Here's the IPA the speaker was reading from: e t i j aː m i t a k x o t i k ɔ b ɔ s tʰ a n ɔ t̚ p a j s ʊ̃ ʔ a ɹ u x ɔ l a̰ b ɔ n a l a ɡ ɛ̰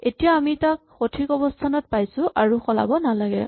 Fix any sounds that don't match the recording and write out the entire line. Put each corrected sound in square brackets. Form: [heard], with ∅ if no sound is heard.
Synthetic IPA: e t i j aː m i t a k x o [tʰ] i k ɔ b ɔ s tʰ a n ɔ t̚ p a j s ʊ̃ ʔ a ɹ u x ɔ l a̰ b ɔ n a l a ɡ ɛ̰